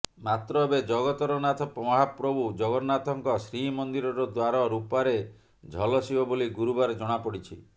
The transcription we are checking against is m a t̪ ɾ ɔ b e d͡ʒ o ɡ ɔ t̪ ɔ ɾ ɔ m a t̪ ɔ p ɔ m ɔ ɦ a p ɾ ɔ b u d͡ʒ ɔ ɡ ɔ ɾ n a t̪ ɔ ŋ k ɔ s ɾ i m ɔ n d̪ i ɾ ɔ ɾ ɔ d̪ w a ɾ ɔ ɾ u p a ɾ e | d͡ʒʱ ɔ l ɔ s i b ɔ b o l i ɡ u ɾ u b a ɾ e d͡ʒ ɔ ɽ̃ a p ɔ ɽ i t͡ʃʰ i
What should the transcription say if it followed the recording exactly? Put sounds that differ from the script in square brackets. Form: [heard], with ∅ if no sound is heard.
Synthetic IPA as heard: m a t̪ ɾ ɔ b e d͡ʒ [ɔ] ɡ ɔ t̪ ɔ ɾ ɔ [n] a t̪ ɔ p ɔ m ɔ ɦ a p ɾ ɔ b u d͡ʒ ɔ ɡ ɔ ɾ n a t̪ ɔ ŋ k ɔ s ɾ i m ɔ n d̪ i ɾ ɔ ɾ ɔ d̪ w a ɾ ɔ ɾ u p a ɾ e | d͡ʒʱ ɔ l ɔ s i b ɔ b o l i ɡ u ɾ u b a ɾ e d͡ʒ ɔ ɽ̃ a p ɔ ɽ i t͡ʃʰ i